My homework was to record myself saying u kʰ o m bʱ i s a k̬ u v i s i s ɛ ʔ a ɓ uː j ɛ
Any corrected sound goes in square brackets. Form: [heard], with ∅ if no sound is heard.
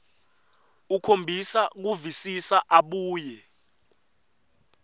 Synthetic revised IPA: u kʰ o m bʱ i s a k̬ u v i s i s [a] ʔ a ɓ uː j ɛ

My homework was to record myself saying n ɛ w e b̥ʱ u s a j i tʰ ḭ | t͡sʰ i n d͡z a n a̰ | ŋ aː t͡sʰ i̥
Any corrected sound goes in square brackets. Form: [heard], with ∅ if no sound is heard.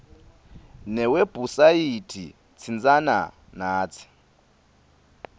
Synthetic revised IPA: n ɛ w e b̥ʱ u s a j i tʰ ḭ | t͡sʰ i n d͡z a n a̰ | [n] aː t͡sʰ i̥

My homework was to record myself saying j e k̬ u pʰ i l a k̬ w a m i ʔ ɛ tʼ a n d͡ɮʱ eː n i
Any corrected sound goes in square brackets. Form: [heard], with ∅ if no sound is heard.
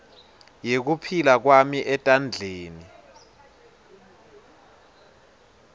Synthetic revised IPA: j e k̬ u pʰ i l a k̬ w a m i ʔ ɛ tʼ a n d͡ɮʱ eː n i

